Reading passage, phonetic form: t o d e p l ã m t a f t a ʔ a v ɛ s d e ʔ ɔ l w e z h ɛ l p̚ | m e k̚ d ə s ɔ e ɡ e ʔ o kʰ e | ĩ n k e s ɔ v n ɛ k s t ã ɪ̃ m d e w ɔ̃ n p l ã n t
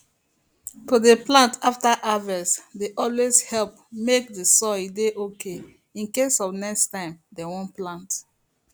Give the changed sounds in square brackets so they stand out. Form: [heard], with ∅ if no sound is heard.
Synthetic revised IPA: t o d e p l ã [n] t a f t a ʔ a v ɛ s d e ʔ ɔ l w e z h ɛ l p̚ | m e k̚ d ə s ɔ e [d] e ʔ o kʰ e | ĩ n k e s ɔ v n ɛ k s t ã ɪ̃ m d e w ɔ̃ n p l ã n t